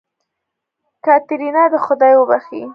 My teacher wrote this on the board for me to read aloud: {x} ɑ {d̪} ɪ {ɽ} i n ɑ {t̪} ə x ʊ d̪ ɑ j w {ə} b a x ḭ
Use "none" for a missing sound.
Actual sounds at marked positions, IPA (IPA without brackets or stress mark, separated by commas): k, t̪, ɾ, d̪, ə